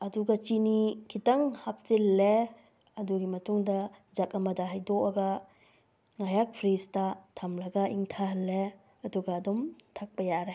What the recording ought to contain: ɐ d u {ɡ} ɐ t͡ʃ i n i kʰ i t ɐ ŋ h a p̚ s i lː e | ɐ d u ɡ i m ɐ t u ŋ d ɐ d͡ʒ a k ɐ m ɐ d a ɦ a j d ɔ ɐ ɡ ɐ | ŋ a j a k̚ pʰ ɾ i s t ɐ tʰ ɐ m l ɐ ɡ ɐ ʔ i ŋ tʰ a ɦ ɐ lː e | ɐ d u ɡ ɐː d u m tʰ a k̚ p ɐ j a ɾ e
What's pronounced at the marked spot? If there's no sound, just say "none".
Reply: ɡ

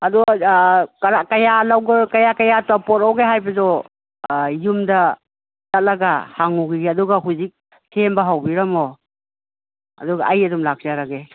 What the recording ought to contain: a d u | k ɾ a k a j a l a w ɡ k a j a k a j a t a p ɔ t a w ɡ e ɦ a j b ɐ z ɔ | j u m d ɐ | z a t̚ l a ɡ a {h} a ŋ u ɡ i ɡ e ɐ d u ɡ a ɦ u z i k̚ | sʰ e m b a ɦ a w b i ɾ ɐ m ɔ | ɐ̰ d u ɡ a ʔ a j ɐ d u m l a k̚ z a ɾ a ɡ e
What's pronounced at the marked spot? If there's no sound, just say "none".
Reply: h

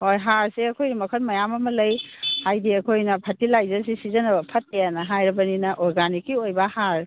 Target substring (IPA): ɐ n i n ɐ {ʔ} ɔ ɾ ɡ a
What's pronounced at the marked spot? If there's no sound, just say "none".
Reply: ʔ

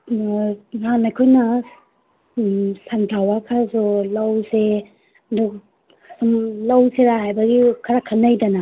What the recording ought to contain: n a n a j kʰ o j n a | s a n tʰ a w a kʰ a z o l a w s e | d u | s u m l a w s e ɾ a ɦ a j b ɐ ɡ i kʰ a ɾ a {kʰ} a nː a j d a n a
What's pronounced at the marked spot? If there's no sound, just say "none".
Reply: kʰ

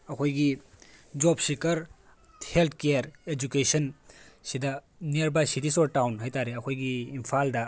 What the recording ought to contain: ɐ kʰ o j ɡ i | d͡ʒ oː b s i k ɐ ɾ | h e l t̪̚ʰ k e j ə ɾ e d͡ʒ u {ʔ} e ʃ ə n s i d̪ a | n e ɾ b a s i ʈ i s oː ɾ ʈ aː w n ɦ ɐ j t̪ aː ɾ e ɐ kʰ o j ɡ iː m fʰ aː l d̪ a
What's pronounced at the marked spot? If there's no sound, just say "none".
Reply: k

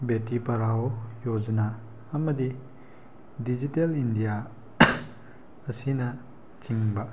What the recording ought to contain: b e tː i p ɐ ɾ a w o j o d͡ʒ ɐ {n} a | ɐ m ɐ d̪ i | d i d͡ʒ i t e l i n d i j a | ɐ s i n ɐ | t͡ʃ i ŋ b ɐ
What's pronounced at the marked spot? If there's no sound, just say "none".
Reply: n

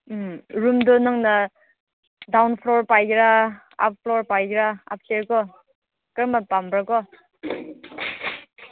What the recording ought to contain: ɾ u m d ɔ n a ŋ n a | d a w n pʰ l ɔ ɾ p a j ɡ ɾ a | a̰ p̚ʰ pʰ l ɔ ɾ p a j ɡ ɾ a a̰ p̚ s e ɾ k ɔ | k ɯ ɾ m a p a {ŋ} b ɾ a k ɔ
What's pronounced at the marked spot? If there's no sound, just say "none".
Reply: m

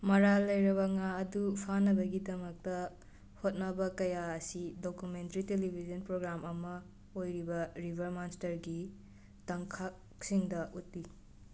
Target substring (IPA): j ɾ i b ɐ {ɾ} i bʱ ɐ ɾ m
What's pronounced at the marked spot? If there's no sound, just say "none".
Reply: ɾ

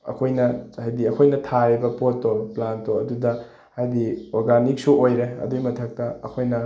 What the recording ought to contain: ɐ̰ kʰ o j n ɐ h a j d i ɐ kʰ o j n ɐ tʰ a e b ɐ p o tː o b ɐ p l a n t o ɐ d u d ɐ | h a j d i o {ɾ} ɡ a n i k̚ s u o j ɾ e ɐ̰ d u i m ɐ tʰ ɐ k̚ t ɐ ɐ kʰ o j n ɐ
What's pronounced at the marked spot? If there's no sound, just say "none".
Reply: ɾ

